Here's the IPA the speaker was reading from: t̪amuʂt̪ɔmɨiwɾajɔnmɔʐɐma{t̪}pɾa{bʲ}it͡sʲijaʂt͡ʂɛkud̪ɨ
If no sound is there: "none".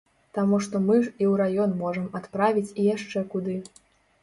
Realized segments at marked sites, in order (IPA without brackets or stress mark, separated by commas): t̪, vʲ